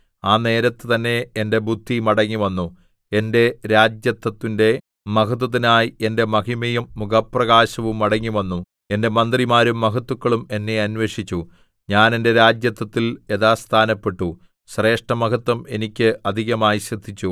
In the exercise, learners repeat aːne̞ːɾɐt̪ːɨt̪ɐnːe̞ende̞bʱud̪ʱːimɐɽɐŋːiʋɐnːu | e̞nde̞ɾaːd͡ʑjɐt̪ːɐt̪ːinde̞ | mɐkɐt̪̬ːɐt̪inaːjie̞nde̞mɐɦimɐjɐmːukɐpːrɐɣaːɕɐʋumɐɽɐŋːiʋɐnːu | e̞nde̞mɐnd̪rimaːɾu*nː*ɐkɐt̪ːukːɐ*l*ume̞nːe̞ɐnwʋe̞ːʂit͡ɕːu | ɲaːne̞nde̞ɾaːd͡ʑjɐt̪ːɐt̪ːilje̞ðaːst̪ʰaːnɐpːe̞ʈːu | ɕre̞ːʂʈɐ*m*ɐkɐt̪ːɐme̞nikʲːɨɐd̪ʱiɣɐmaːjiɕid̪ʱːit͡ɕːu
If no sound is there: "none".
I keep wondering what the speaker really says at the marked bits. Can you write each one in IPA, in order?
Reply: mː, ɭ, m

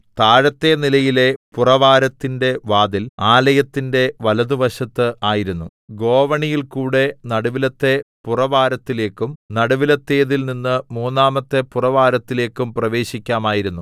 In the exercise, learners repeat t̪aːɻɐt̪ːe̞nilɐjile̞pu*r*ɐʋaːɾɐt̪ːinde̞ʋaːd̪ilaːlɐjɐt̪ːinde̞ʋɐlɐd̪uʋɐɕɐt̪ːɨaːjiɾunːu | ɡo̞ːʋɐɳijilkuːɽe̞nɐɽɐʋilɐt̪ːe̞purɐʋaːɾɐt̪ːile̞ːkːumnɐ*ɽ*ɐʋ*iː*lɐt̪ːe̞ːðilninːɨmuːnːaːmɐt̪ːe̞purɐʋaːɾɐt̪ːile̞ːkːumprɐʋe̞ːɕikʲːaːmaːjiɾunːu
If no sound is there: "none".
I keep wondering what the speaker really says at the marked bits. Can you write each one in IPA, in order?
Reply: r, ɽ, i

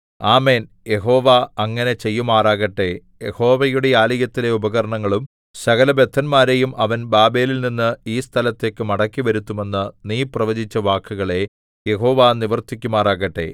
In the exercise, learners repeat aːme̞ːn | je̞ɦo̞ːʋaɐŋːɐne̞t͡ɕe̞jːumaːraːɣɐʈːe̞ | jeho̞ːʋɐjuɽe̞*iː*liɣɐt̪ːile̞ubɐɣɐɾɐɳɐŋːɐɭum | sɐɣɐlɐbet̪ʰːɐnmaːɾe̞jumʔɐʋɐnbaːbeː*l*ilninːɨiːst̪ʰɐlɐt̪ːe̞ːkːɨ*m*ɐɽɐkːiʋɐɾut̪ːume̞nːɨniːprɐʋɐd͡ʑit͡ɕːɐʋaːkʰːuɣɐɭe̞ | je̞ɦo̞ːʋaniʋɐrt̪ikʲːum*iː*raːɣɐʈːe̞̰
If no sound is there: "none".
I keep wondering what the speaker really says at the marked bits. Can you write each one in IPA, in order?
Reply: aː, l, m, aː

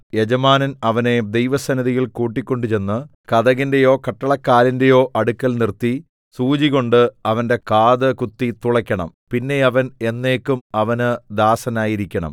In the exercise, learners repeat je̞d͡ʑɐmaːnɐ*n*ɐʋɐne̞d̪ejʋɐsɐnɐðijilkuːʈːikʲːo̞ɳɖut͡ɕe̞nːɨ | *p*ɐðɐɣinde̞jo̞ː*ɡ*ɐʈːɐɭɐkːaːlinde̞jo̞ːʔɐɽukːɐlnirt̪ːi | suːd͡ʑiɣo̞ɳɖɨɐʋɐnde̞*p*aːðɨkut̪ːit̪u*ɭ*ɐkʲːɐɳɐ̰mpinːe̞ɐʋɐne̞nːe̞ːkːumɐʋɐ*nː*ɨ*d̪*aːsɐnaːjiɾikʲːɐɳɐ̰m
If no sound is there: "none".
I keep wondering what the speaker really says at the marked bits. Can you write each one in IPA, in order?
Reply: n, k, k, k, ɭ, n, d̪

